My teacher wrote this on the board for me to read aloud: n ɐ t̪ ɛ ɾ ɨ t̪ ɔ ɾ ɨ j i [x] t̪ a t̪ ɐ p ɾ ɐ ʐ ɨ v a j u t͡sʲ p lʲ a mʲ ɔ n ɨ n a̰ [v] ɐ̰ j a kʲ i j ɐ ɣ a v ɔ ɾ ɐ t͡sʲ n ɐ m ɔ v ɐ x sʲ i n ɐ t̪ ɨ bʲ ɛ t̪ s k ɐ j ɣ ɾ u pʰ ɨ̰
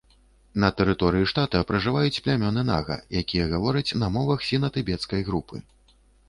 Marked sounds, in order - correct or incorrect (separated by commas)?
incorrect, incorrect